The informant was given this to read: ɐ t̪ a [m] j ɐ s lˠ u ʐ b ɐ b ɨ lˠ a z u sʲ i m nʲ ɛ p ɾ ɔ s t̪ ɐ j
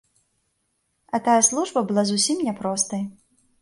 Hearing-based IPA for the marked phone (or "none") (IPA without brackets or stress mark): none